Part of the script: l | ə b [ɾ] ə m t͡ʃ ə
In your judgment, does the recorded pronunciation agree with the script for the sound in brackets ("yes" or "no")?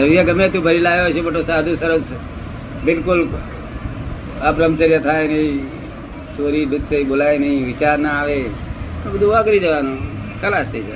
yes